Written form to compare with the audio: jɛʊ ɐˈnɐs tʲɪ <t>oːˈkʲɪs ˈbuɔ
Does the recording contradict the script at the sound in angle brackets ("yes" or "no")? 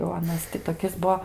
no